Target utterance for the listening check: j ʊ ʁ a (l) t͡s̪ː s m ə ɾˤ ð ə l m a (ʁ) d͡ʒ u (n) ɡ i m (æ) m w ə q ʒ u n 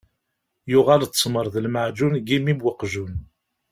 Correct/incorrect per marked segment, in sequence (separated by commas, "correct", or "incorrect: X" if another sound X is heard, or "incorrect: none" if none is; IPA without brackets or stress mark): correct, incorrect: ʕ, correct, incorrect: i